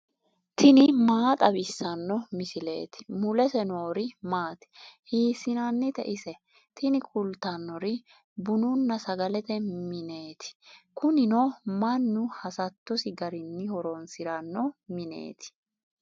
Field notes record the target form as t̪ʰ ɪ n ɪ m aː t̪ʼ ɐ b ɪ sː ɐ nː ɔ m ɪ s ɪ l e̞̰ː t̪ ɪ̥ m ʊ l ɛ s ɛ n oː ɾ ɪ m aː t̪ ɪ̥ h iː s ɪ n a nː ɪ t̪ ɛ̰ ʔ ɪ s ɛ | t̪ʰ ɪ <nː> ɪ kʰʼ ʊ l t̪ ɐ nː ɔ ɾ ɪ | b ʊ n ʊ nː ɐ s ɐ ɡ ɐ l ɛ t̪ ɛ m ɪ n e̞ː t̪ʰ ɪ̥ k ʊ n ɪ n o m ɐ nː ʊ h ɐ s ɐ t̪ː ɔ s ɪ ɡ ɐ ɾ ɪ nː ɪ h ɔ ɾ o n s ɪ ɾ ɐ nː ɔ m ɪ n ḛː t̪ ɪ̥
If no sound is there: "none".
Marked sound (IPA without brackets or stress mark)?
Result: n